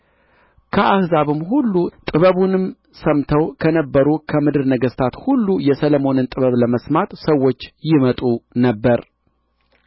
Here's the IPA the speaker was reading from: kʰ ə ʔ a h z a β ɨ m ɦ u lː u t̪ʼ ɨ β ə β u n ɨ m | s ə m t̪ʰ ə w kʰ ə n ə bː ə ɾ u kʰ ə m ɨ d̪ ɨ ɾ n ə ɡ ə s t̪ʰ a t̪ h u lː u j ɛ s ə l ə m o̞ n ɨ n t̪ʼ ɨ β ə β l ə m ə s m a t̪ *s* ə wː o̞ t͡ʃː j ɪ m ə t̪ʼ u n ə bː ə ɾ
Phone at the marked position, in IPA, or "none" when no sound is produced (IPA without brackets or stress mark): s